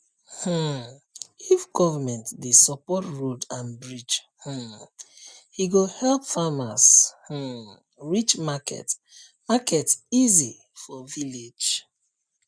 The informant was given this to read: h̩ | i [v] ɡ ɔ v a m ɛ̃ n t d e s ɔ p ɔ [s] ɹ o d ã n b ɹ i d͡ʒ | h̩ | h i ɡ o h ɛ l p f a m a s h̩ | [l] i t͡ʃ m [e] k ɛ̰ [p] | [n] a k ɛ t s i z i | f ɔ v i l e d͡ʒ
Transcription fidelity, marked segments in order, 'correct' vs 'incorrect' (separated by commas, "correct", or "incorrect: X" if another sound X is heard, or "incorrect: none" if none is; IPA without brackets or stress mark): incorrect: f, incorrect: t, incorrect: ɹ, incorrect: a, incorrect: t, incorrect: m